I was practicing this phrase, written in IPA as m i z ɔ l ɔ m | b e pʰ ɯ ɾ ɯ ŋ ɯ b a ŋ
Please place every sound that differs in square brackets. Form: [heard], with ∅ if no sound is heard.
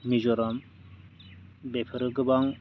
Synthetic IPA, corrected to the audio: m i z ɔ [ɾ] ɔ m | b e pʰ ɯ ɾ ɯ [ɡ] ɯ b a ŋ